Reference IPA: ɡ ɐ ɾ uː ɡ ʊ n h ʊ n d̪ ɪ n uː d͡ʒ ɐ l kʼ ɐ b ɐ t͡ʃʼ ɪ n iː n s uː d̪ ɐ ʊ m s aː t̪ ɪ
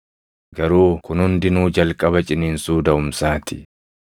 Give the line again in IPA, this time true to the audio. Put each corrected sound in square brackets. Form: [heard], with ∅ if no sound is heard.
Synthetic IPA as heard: ɡ ɐ ɾ uː [k] ʊ n h ʊ n d̪ ɪ n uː d͡ʒ ɐ l kʼ ɐ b ɐ t͡ʃʼ ɪ n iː n s uː d̪ ɐ ʊ m s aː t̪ ɪ